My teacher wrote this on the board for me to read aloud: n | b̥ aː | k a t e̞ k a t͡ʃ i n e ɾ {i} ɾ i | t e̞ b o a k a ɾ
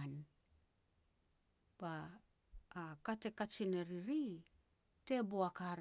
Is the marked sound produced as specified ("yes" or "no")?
yes